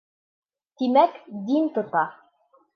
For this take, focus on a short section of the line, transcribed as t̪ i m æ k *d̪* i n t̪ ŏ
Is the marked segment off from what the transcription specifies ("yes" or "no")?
no